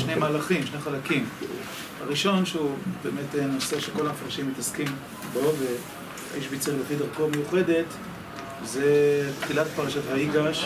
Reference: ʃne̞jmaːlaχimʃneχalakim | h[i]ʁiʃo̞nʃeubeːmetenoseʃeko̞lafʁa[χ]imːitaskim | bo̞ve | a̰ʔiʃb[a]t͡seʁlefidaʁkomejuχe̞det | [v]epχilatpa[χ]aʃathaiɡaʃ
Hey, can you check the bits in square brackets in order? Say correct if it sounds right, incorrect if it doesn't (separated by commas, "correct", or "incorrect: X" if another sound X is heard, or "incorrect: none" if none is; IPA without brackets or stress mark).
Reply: incorrect: a, incorrect: ʃ, incorrect: i, incorrect: z, incorrect: ʁ